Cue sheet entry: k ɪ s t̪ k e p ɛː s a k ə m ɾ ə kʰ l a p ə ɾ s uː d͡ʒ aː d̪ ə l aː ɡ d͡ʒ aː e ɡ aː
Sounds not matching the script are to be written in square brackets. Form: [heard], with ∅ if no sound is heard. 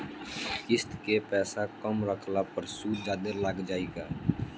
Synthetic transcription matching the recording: k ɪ s t̪ k e p ɛː s a k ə m ɾ ə kʰ l a p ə ɾ s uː d͡ʒ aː d̪ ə l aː ɡ d͡ʒ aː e ɡ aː

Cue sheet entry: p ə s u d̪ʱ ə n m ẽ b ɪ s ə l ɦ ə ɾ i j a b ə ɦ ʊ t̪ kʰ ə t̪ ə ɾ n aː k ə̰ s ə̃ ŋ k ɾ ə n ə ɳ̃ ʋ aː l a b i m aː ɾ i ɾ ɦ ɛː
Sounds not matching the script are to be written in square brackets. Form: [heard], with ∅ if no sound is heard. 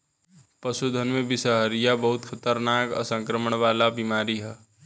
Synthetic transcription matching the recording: p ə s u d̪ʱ ə n m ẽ b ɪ s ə [∅] ɦ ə ɾ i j a b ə ɦ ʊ t̪ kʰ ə t̪ ə ɾ n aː k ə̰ s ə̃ ŋ k ɾ ə [m] ə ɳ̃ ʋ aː l a b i m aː ɾ i [∅] ɦ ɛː

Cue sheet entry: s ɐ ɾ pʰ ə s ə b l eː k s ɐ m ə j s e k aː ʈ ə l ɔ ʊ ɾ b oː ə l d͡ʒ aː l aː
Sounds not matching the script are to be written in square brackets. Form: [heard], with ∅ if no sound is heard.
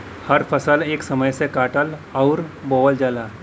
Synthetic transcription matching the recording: [h] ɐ ɾ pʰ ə s ə [∅] l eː k s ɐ m ə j s e k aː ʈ ə l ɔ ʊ ɾ b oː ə l d͡ʒ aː l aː

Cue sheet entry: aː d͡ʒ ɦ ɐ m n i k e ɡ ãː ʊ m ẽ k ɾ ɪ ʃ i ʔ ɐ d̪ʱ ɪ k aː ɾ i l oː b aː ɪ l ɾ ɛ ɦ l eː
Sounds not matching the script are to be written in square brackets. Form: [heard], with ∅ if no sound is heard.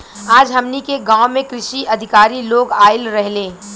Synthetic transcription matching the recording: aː d͡ʒ ɦ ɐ m n i k e ɡ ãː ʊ m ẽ k ɾ ɪ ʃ i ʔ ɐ d̪ʱ ɪ k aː ɾ i l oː [ɡ] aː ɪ l ɾ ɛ ɦ l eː

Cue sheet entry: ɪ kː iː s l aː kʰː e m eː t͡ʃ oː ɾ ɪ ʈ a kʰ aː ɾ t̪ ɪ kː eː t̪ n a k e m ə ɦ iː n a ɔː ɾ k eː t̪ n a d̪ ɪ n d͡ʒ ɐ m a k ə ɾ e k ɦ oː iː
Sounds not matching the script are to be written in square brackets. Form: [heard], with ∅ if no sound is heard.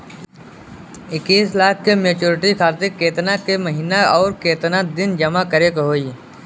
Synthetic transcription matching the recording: ɪ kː iː s l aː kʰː e m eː t͡ʃ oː ɾ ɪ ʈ [i] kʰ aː ɾ t̪ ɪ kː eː t̪ n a k e m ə ɦ iː n a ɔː ɾ k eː t̪ n a d̪ ɪ n d͡ʒ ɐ m a k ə ɾ e k ɦ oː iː

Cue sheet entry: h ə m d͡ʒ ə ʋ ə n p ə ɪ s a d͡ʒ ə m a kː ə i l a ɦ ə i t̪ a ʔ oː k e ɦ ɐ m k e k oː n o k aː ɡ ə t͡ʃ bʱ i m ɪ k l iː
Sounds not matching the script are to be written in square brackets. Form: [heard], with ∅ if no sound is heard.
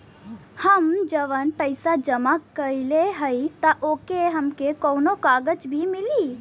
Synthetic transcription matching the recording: h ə m d͡ʒ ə ʋ ə n p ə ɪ s a d͡ʒ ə m a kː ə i l [e] ɦ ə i t̪ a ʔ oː k e ɦ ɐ m k e k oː n o k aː ɡ ə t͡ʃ bʱ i m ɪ [∅] l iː

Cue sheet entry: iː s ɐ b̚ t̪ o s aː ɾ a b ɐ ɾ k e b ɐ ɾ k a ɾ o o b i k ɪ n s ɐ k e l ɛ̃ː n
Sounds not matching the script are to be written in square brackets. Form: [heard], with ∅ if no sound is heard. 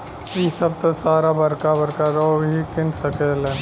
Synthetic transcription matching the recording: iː s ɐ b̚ t̪ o s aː ɾ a b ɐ ɾ k [a] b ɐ ɾ k a ɾ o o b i k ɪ n s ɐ k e l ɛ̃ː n

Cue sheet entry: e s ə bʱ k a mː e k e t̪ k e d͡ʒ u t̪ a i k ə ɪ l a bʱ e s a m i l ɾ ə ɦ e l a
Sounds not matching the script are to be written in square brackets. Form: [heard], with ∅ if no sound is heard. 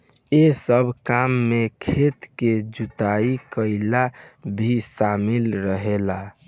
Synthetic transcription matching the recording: e s ə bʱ k a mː e [kʰ] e t̪ k e d͡ʒ u t̪ a i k ə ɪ l a bʱ [i] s a m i l ɾ ə ɦ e l a

